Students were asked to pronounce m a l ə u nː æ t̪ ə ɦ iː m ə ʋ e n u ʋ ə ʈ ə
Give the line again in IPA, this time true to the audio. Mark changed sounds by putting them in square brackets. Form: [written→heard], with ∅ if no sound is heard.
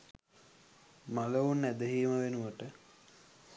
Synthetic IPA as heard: m a l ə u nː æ [t̪→d̪] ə ɦ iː m ə ʋ e n u ʋ ə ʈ ə